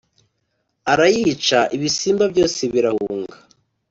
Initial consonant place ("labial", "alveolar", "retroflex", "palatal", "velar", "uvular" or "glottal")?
alveolar